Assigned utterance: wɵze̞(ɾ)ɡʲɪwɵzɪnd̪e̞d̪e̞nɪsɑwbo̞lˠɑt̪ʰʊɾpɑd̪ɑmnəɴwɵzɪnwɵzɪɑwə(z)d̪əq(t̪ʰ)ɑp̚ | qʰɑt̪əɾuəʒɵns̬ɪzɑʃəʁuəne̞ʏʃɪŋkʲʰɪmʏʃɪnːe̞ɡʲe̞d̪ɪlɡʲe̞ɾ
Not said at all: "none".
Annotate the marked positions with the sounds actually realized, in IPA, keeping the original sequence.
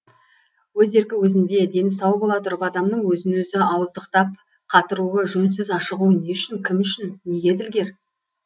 ɾ, z, t̪

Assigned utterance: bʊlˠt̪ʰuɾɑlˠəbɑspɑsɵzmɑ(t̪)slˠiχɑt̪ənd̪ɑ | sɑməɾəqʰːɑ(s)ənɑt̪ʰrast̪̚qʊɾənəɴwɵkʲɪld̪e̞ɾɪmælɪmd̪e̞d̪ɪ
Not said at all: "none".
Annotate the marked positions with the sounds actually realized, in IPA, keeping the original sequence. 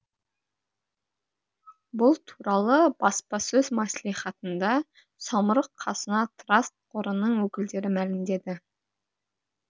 none, s

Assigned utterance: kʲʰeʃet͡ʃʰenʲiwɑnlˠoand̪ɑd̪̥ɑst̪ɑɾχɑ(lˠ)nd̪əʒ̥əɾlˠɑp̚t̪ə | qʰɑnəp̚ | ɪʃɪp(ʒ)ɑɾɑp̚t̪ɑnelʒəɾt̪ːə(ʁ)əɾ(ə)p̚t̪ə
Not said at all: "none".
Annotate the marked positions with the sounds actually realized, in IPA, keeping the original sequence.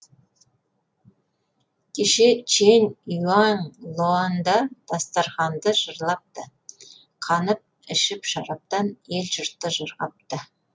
none, ʃ, ʒ, ɑ

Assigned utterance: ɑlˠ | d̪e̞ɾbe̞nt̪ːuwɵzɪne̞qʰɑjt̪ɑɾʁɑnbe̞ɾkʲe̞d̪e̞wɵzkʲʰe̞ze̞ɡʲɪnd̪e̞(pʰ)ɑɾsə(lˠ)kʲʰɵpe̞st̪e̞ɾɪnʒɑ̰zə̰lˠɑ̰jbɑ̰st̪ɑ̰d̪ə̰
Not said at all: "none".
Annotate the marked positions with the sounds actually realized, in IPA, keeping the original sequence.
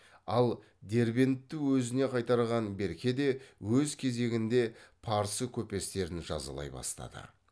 pʰ, none

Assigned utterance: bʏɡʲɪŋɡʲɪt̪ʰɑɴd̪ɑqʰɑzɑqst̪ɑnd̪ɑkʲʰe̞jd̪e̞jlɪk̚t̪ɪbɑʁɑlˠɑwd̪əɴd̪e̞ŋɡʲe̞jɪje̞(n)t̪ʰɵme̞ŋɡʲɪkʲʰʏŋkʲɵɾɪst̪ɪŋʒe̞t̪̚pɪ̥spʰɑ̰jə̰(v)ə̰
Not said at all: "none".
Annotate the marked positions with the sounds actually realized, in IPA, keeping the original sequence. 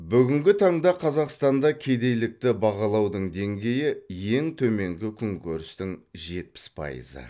ŋ, z

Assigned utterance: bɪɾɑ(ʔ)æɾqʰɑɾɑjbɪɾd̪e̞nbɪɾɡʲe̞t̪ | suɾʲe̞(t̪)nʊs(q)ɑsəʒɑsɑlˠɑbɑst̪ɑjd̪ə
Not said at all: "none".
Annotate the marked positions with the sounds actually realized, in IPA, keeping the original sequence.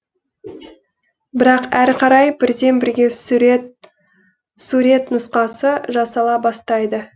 q, t̪, q

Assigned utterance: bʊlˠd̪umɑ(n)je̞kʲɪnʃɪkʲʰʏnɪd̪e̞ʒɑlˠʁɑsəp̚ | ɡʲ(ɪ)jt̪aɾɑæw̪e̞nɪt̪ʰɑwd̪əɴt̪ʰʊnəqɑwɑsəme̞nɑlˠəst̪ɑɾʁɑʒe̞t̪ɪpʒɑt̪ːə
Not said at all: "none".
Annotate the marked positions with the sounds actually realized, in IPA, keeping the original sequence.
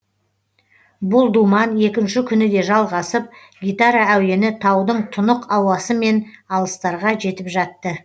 n, i

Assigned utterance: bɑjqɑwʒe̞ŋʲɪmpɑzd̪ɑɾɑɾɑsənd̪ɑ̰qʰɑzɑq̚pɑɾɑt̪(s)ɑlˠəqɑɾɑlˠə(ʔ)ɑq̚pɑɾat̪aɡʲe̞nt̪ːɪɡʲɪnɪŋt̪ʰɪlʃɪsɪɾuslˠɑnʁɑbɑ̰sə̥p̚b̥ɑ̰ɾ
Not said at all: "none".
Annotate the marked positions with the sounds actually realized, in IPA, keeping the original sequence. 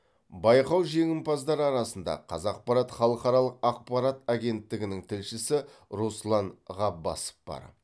χ, q

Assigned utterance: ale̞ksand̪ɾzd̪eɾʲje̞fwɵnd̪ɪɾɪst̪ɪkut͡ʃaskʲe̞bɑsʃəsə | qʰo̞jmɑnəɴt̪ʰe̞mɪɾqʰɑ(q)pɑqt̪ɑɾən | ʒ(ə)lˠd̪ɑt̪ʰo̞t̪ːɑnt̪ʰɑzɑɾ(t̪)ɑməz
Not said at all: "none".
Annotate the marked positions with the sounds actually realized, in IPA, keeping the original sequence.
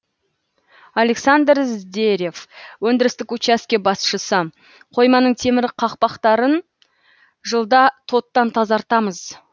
q, ə, t̪

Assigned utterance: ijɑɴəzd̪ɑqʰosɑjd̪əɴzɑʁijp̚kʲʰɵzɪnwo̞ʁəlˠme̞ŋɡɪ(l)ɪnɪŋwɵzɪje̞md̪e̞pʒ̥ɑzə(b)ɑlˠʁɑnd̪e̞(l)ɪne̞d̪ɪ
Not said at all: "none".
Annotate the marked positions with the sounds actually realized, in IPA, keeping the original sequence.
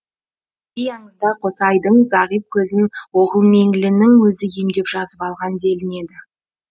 l, p, l

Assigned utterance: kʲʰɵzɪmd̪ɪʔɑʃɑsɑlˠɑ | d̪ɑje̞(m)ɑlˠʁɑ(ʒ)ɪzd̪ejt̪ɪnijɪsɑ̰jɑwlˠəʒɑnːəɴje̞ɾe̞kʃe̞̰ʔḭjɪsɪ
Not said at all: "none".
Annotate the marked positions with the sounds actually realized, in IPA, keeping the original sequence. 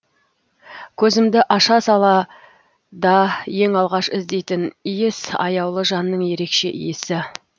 ŋ, ʃ

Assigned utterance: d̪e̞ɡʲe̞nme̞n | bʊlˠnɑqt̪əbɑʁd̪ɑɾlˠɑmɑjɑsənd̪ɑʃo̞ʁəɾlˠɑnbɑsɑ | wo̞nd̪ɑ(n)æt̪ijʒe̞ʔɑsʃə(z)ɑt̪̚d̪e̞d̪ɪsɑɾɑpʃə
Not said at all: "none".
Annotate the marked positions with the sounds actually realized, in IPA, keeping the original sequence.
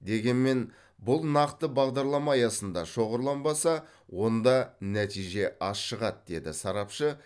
n, ʁ

